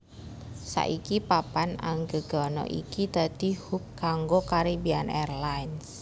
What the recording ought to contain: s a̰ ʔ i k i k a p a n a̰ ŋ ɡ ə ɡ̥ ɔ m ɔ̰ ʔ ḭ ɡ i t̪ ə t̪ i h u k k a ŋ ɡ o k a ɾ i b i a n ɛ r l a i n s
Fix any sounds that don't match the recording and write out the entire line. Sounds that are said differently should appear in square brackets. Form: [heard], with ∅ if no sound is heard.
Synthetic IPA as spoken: s a̰ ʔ i k i [p] a p a n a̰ ŋ ɡ ə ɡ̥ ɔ [n] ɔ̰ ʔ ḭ [k] i t̪ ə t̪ i h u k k a ŋ ɡ o k a ɾ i b i a n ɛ r l a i n s